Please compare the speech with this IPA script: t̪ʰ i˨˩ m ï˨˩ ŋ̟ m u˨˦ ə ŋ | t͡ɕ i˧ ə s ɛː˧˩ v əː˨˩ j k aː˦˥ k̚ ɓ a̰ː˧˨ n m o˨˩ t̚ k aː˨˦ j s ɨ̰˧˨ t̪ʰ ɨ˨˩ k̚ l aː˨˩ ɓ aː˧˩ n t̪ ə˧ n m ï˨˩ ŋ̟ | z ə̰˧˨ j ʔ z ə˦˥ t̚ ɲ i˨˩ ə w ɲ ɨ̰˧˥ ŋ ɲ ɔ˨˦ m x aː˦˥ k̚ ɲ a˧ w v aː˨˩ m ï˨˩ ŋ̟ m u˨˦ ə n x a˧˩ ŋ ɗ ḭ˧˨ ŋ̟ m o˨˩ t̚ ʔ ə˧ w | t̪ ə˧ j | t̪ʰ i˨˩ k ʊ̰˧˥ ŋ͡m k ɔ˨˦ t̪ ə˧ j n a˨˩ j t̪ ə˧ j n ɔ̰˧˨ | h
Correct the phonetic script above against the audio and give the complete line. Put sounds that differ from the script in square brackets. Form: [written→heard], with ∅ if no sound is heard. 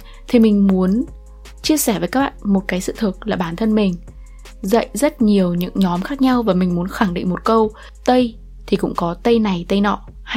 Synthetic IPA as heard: t̪ʰ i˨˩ m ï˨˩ ŋ̟ m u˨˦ ə [ŋ→n] | t͡ɕ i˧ ə s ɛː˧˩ v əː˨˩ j k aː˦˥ k̚ ɓ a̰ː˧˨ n m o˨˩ t̚ k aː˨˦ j s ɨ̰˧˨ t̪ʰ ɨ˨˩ k̚ l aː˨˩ ɓ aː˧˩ n [t̪→t̪ʰ] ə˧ n m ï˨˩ ŋ̟ | z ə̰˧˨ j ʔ z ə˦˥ t̚ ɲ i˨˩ ə w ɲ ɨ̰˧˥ ŋ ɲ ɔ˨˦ m x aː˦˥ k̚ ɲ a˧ w v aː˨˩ m ï˨˩ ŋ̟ m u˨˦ ə n x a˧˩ ŋ ɗ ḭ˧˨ ŋ̟ m o˨˩ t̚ [ʔ→k] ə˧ w | t̪ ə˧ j | t̪ʰ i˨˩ k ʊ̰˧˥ ŋ͡m k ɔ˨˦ t̪ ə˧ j n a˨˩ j t̪ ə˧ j n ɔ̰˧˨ | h